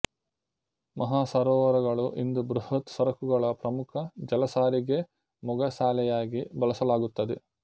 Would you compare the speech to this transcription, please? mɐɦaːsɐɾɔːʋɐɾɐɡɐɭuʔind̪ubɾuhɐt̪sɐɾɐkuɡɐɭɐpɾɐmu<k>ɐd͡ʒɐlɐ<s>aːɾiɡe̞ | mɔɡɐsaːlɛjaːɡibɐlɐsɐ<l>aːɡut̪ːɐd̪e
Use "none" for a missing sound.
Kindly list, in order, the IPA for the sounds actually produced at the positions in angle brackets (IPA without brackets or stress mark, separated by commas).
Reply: kʰ, s, l